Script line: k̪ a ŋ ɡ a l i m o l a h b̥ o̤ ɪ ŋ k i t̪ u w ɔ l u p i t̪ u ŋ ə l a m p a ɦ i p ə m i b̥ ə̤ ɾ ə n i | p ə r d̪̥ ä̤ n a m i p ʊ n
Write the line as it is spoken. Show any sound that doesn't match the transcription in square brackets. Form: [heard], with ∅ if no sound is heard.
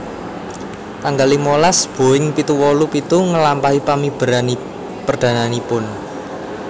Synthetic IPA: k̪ a ŋ ɡ a l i m o l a [s] b̥ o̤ ɪ ŋ [p] i t̪ u w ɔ l u p i t̪ u ŋ ə l a m p a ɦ i p [a] m i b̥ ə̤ ɾ [a] n i | p ə r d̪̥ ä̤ n a [n] i p ʊ n